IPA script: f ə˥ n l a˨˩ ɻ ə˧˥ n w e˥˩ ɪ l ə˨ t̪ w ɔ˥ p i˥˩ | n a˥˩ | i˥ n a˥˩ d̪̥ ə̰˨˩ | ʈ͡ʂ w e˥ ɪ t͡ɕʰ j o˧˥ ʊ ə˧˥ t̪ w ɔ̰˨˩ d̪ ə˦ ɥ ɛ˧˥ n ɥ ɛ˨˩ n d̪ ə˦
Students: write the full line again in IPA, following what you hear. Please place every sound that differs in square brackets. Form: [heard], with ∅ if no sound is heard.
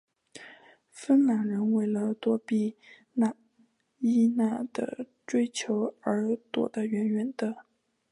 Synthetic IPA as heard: f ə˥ n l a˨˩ ɻ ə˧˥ n w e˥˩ ɪ l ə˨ t̪ w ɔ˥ p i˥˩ | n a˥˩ | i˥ n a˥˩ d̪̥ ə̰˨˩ | ʈ͡ʂ w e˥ ɪ t͡ɕʰ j o˧˥ ʊ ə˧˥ t̪ w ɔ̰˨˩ d̪ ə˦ ɥ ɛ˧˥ n ɥ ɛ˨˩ n d̪ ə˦

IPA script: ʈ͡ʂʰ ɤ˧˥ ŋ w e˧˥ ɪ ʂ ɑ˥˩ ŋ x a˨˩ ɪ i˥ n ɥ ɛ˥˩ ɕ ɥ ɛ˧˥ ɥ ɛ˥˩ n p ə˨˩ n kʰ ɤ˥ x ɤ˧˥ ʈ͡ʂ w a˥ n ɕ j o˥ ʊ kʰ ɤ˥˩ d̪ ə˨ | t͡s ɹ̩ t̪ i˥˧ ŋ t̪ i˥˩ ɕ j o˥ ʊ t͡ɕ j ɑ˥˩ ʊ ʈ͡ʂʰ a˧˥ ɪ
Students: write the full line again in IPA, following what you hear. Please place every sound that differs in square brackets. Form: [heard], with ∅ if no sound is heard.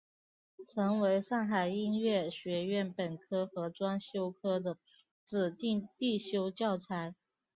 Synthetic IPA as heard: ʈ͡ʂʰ ɤ˧˥ ŋ w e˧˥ ɪ ʂ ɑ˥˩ ŋ x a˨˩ ɪ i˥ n ɥ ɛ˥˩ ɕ ɥ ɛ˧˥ ɥ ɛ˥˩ n p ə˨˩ n kʰ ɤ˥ x ɤ˧˥ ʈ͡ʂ w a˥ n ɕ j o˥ ʊ kʰ [ɤ˥] d̪ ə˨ | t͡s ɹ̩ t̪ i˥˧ ŋ t̪ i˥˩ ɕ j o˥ ʊ t͡ɕ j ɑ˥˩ ʊ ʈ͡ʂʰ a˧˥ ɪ

